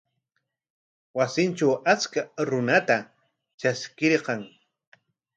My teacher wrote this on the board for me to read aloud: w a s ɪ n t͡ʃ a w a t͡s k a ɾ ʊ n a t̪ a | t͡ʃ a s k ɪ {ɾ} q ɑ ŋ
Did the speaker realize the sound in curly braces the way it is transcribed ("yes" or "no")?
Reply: yes